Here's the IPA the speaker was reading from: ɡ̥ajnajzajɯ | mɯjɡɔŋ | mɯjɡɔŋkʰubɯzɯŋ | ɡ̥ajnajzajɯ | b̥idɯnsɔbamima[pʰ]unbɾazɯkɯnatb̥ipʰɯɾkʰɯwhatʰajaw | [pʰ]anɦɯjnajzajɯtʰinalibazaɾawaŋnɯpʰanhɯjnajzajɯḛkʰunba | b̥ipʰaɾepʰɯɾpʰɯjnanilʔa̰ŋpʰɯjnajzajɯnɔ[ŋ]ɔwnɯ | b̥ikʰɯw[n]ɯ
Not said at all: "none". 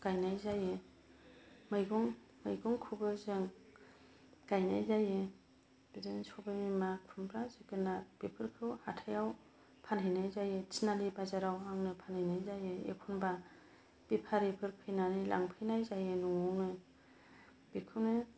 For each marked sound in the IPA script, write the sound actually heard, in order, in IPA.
kʰ, pʰ, ŋ, n

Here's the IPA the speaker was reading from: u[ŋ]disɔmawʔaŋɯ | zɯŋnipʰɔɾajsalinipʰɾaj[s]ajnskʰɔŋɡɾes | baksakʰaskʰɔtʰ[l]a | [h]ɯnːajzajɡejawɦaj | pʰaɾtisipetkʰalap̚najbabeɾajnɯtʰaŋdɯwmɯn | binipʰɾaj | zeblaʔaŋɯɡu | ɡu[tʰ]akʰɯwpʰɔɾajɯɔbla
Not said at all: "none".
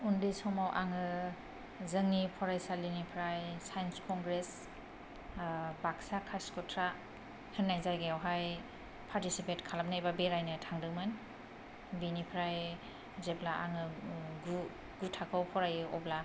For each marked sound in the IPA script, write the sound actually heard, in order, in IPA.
n, s, ɾ, h, tʰ

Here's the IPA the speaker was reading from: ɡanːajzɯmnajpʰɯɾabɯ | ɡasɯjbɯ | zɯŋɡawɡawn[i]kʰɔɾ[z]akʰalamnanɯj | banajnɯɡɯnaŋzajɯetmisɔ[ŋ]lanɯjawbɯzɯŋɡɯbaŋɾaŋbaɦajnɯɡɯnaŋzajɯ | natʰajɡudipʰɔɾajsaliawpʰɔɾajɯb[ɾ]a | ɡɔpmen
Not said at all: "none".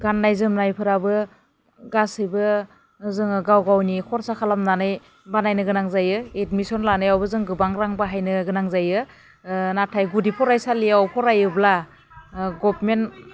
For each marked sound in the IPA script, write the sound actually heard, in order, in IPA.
i, s, n, l

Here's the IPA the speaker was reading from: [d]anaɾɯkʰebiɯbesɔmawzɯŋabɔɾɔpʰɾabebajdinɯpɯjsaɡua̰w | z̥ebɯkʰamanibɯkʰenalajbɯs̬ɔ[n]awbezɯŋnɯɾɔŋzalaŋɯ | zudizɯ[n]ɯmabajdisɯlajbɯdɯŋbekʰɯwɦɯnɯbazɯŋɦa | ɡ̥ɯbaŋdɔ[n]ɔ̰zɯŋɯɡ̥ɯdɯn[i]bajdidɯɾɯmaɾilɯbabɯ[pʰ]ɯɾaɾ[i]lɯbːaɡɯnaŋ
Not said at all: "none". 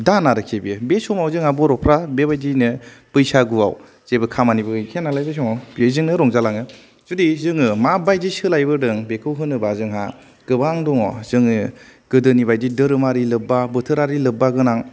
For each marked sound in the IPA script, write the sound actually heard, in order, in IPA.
d, ŋ, ŋ, ŋ, i, tʰ, i

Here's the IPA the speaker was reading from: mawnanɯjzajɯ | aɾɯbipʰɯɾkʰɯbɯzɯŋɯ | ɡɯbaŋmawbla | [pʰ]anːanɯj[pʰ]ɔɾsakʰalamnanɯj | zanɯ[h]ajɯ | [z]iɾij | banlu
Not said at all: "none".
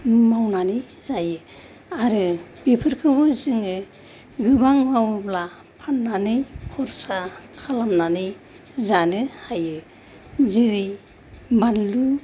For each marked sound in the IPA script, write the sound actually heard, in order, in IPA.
pʰ, kʰ, h, z

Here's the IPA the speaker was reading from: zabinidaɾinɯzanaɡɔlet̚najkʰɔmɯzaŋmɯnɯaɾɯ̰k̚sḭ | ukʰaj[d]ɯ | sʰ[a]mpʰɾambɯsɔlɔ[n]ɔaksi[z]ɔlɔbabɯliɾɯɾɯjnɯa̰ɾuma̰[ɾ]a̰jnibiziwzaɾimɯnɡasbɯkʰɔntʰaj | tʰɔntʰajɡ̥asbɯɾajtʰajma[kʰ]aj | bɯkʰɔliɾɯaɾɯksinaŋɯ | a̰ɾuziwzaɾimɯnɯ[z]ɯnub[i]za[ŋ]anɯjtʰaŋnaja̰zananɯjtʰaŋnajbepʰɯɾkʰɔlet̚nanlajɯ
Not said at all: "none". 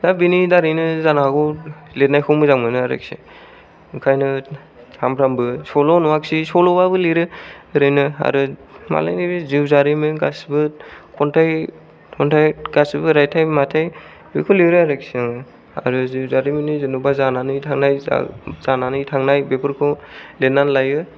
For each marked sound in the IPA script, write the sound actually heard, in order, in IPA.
n, a, n, s, l, tʰ, z, a, n

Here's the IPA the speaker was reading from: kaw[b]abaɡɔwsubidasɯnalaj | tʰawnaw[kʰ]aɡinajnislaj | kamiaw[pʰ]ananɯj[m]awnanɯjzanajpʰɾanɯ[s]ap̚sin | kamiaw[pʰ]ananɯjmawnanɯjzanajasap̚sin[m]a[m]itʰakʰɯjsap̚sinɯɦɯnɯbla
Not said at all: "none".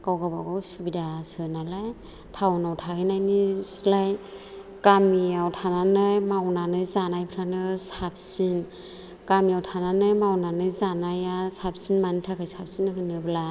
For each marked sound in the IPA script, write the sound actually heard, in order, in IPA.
ɡ, tʰ, tʰ, m, s, tʰ, m, n

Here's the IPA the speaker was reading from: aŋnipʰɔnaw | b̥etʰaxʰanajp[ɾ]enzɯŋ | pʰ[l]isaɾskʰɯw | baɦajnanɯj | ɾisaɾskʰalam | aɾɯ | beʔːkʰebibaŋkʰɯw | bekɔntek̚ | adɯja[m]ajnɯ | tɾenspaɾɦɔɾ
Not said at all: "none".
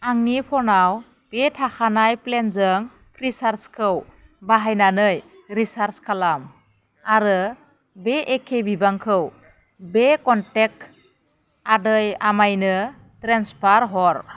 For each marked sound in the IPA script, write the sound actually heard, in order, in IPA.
l, ɾ, m

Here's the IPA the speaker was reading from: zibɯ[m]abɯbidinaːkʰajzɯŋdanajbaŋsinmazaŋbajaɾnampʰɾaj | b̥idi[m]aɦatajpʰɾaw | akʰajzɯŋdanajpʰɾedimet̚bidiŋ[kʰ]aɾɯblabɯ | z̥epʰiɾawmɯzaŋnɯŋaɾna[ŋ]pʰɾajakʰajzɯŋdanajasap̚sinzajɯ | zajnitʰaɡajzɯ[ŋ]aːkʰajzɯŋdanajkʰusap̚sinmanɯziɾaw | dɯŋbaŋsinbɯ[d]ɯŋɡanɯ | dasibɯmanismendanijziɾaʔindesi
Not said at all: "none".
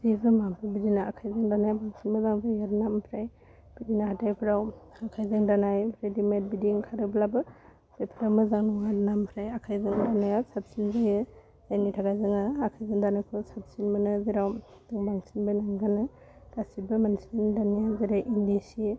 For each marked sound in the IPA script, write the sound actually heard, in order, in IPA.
m, n, kʰ, m, ŋ, n

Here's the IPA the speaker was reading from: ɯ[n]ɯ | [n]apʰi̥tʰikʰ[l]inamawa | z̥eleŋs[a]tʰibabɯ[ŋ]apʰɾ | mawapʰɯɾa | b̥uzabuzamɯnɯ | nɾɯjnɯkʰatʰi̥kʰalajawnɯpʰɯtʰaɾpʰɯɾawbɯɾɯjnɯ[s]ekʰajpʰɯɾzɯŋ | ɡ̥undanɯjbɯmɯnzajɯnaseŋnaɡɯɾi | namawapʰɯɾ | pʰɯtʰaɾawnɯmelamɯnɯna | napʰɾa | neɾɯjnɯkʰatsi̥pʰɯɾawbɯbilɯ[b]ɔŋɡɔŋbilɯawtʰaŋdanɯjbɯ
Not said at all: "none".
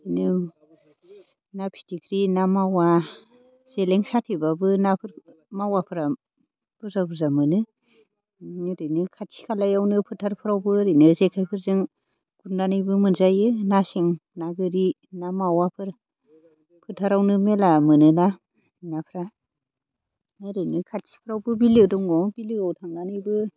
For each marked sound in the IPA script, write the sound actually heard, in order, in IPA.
n, n, ɾ, a, n, z, d

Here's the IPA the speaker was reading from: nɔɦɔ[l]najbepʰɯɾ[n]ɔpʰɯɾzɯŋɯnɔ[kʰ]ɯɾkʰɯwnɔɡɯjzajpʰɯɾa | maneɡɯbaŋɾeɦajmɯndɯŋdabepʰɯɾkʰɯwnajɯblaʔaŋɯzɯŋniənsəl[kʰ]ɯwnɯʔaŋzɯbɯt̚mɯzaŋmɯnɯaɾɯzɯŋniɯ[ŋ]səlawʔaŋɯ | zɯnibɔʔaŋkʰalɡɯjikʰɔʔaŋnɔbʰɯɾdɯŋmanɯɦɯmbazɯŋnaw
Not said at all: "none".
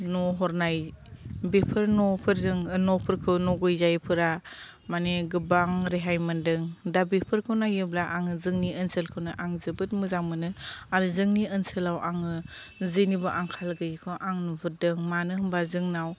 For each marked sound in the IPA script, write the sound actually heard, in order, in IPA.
ɾ, n, pʰ, kʰ, n

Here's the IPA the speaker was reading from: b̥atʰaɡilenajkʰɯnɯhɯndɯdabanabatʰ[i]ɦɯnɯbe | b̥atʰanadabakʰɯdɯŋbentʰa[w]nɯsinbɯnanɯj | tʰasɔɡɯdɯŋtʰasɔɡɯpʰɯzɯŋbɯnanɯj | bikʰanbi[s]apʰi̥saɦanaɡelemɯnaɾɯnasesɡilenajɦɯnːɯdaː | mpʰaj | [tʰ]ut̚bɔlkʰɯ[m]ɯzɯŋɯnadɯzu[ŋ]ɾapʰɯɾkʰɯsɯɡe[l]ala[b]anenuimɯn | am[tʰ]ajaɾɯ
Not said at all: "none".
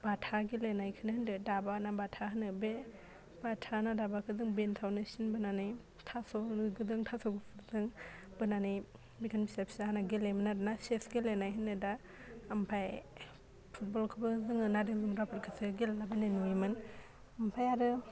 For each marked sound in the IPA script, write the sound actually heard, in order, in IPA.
a, w, s, pʰ, b, m, l, b, pʰ

